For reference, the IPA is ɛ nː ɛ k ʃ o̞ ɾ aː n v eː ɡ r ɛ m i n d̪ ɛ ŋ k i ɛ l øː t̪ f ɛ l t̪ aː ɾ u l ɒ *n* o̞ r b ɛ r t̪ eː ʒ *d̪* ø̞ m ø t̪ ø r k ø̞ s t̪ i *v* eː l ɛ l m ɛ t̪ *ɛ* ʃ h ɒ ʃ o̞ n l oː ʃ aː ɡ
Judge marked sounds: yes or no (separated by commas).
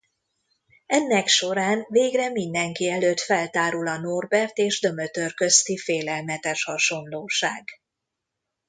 yes, yes, no, yes